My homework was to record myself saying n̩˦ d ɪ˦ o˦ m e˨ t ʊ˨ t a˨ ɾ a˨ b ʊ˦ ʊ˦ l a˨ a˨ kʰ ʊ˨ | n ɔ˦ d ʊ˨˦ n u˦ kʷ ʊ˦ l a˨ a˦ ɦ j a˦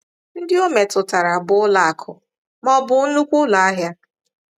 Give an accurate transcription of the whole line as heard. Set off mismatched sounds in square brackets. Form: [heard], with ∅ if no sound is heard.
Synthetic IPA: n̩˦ d ɪ˦ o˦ m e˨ t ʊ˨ t a˨ ɾ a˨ b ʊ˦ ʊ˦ l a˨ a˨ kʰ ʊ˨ | [m] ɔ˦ [b] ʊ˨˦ n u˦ kʷ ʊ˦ l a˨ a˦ ɦ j a˦

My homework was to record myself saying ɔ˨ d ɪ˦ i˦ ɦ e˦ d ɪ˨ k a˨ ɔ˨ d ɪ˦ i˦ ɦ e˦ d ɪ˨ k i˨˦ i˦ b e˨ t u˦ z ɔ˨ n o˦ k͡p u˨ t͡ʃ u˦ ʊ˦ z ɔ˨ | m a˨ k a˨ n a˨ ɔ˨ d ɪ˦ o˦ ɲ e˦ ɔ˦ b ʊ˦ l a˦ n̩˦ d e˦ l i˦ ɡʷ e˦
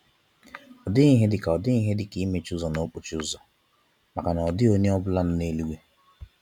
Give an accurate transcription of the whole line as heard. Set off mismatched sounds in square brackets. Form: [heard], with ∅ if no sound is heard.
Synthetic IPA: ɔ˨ d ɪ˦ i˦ ɦ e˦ d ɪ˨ k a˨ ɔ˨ d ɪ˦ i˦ ɦ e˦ d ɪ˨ k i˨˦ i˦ [m] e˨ [t͡ʃ] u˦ z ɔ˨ n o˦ k͡p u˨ t͡ʃ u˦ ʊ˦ z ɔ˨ | m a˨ k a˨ n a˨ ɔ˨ d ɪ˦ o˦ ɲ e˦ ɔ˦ b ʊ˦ l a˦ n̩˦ [n] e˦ l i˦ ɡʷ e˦

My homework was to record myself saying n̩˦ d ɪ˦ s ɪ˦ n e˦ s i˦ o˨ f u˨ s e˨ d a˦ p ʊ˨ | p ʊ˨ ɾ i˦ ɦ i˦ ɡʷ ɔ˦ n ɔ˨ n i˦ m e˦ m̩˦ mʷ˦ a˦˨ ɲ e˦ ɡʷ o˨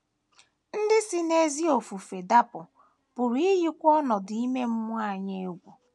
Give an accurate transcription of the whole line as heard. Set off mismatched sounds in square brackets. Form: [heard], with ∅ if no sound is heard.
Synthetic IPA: n̩˦ d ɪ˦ s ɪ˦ n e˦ [z] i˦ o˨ f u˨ [f] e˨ d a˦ p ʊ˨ | p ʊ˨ ɾ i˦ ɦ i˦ [kʷ] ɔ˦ n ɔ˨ [d] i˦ m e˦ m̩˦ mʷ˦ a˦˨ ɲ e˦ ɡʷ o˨

